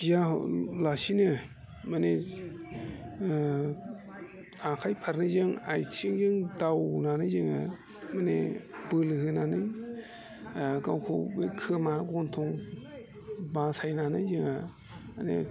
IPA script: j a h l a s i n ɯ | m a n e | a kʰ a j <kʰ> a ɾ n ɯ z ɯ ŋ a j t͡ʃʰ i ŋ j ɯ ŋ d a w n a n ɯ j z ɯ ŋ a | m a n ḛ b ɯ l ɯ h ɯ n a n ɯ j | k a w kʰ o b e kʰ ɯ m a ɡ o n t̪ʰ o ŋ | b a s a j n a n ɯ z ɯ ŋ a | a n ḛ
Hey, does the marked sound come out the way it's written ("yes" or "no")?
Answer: no